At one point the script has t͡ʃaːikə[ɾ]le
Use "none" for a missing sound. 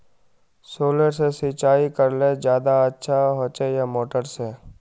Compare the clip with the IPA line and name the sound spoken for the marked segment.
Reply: ɾ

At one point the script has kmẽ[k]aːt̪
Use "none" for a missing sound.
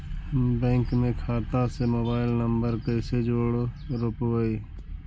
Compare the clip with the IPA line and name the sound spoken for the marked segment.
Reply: kʰ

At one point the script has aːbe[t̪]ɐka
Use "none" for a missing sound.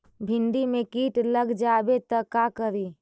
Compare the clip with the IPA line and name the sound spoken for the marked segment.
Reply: t̪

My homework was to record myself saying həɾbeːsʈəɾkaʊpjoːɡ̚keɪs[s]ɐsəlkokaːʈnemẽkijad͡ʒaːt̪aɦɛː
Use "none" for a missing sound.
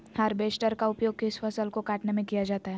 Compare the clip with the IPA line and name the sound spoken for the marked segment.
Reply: f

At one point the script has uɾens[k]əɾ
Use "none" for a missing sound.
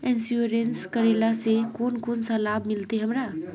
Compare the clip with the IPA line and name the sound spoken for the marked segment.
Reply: k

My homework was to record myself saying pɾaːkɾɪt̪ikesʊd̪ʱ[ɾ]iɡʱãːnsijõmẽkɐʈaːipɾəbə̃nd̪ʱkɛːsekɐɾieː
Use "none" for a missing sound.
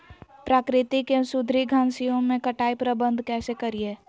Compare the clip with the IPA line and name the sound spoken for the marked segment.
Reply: ɾ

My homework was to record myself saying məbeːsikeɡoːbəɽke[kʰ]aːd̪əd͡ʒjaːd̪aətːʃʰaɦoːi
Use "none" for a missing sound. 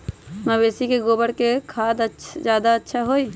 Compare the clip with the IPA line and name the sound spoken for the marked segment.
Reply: kʰ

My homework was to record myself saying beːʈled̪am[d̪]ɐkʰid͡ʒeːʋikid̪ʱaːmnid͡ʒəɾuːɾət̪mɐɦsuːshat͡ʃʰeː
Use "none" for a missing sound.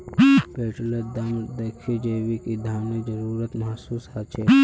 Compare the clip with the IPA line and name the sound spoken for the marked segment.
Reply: d̪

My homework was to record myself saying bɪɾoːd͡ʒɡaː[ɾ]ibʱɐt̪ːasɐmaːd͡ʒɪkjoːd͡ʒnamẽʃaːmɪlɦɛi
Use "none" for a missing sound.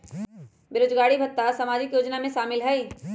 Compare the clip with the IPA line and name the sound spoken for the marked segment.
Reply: ɽ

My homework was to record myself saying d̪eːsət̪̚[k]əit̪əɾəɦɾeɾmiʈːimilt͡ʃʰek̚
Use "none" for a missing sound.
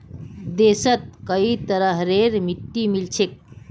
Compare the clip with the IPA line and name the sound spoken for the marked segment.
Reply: k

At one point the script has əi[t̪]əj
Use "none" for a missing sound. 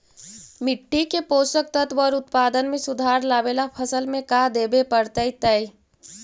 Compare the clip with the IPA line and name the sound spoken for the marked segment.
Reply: t̪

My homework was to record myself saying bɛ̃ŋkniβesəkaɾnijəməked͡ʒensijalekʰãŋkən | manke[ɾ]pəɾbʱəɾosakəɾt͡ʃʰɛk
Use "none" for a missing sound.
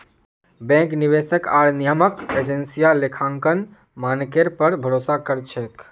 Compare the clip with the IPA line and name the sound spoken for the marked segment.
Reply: ɾ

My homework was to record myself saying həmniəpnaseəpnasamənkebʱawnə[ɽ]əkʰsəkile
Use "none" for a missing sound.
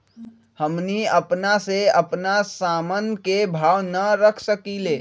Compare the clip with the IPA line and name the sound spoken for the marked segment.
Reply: ɾ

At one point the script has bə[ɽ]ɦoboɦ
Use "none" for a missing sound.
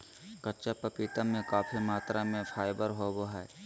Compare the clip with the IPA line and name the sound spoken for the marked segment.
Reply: ɾ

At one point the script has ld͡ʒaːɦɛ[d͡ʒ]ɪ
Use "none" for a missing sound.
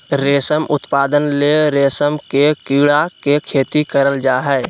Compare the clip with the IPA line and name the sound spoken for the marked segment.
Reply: none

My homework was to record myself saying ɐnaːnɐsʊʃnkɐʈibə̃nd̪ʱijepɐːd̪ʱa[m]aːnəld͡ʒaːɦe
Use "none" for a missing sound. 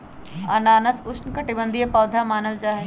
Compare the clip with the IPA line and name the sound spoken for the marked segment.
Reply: m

